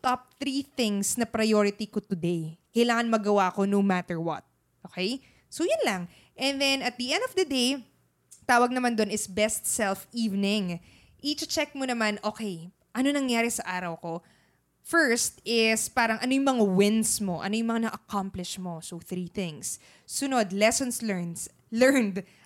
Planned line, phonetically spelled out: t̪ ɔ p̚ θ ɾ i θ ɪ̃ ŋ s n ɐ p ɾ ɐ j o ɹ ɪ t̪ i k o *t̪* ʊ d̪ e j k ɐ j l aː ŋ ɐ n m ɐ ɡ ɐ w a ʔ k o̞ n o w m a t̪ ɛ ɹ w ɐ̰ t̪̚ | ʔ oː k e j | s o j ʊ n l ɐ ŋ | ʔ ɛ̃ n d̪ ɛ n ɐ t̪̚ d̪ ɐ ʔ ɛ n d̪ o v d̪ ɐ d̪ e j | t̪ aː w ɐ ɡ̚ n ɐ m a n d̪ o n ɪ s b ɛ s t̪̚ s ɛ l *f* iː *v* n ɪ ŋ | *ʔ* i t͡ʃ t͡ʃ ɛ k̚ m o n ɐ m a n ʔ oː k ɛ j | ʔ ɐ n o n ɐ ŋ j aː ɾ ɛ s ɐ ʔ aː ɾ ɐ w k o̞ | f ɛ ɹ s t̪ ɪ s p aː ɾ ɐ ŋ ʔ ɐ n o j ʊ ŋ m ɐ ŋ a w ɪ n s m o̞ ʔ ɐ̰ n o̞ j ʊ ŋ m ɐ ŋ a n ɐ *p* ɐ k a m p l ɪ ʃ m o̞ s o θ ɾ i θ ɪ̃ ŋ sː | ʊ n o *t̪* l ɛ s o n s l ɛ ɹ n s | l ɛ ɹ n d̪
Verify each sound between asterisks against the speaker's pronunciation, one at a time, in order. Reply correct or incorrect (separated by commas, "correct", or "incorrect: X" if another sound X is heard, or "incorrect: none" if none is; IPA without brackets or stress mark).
correct, correct, correct, correct, incorrect: ʔ, incorrect: d̪